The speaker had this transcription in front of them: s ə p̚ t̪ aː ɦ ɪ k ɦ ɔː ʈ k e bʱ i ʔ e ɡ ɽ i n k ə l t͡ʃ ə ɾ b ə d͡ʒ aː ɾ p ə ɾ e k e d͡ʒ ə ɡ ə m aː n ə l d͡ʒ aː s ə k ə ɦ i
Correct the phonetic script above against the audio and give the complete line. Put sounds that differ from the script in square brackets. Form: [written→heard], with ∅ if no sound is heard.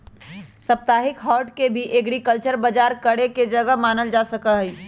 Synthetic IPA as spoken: s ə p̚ t̪ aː ɦ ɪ k ɦ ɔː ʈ k e bʱ i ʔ e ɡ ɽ i [n→∅] k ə l t͡ʃ ə ɾ b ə d͡ʒ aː ɾ [p→k] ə [ɾ→ɽ] e k e d͡ʒ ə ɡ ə m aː n ə l d͡ʒ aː s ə k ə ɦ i